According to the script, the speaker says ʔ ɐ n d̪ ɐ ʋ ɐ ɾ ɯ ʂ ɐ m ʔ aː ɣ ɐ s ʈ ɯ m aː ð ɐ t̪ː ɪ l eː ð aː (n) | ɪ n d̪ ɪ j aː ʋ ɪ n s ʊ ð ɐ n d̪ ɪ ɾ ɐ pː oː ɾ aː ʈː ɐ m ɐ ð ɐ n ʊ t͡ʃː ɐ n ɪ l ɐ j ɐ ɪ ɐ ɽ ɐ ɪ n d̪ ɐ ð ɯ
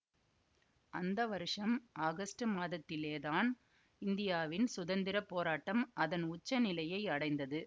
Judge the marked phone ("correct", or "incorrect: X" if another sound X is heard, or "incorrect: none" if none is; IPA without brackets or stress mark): correct